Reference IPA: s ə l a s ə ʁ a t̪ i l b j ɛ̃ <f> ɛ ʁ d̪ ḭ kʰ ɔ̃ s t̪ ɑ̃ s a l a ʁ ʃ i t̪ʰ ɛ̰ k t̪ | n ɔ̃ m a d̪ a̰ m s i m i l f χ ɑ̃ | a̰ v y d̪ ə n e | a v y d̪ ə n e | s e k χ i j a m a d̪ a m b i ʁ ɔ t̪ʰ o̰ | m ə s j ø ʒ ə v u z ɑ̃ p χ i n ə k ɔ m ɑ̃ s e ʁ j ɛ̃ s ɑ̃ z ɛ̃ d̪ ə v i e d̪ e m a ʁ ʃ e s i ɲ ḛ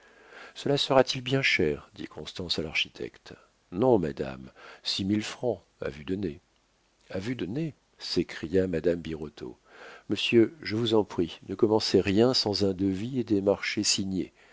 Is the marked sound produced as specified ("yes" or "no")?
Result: no